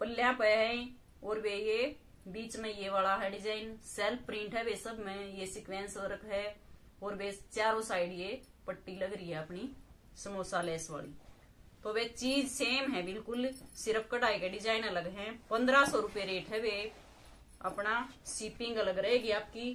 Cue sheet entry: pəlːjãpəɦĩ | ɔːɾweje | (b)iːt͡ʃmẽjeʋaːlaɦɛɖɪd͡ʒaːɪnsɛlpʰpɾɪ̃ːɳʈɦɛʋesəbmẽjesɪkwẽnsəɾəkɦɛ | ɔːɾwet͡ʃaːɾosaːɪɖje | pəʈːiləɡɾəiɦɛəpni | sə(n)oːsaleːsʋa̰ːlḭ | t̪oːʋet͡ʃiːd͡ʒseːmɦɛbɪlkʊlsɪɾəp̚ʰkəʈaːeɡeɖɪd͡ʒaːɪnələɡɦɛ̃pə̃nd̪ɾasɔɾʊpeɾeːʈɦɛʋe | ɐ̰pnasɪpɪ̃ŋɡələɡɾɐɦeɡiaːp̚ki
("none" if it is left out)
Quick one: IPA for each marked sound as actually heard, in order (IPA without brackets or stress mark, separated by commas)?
b, m